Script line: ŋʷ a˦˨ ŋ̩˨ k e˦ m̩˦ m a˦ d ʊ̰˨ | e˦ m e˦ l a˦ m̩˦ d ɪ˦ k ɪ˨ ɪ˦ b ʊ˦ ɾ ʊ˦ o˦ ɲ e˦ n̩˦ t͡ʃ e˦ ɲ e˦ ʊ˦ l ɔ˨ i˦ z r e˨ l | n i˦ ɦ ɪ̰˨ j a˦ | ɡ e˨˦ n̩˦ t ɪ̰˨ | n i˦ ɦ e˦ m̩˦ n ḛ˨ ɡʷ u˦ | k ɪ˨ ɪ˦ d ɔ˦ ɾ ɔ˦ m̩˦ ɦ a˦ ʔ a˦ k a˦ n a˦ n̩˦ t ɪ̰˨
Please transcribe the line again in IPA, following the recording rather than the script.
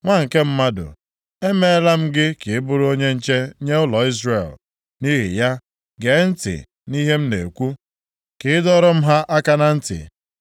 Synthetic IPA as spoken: ŋʷ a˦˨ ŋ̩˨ k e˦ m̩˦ m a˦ d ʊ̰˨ | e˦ m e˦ l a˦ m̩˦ ɡ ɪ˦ k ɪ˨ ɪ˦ b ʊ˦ ɾ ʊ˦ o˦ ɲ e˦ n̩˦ t͡ʃ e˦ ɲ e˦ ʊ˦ l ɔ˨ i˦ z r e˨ l | n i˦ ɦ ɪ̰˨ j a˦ | ɡ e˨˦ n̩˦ t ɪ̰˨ | n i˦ ɦ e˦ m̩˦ n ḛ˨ kʷ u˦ | k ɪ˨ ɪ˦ d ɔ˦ ɾ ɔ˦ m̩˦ ɦ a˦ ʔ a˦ k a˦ n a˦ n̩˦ t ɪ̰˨